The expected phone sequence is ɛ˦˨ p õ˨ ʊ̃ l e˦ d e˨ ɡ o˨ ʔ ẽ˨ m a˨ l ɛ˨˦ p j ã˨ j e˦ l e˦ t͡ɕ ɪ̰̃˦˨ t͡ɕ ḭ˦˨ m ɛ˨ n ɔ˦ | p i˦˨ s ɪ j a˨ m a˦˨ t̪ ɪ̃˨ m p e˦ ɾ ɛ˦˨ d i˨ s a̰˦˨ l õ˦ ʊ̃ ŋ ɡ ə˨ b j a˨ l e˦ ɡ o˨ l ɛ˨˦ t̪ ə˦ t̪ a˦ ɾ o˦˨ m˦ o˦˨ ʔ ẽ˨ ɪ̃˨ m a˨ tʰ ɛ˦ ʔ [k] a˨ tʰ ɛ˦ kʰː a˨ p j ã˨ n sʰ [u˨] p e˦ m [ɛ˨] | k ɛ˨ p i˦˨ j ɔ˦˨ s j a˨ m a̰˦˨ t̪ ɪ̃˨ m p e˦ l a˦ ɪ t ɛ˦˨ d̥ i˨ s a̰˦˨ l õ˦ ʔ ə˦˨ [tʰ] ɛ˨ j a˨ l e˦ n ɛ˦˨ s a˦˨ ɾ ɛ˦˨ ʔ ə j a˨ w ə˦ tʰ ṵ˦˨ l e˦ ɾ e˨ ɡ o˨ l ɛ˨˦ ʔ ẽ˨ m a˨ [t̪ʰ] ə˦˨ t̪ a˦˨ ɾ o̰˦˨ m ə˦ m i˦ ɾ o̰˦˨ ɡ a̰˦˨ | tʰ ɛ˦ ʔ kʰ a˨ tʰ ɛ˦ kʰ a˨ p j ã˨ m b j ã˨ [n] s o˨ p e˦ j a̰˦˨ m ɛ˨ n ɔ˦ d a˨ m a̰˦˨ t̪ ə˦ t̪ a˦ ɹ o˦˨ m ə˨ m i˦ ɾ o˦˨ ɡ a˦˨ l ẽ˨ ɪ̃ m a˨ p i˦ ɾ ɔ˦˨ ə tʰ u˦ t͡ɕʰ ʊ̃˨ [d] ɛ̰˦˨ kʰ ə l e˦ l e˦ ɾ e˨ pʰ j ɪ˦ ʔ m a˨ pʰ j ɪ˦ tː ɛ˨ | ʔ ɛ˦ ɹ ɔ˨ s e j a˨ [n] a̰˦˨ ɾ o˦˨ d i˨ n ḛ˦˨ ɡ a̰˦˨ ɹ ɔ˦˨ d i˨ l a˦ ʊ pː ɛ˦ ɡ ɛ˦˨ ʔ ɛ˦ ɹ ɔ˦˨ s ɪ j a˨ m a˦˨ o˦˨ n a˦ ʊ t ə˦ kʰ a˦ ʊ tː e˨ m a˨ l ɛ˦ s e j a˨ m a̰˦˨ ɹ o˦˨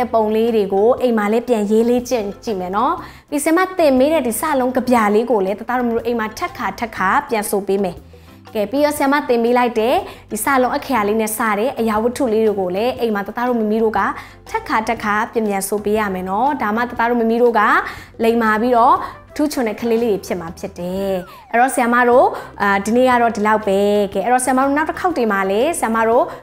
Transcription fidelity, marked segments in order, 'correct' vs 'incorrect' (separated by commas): incorrect, incorrect, correct, incorrect, incorrect, correct, incorrect, incorrect